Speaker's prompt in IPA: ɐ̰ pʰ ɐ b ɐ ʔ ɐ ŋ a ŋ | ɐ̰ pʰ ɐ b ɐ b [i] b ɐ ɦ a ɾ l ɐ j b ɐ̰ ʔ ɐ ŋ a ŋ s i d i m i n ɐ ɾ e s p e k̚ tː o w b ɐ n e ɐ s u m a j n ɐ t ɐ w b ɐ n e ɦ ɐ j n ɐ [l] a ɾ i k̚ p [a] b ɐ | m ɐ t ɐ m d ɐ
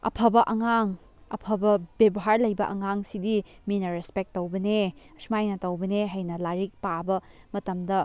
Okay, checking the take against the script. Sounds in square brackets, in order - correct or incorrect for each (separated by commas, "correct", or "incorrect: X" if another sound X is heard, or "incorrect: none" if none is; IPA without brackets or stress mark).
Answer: incorrect: e, correct, correct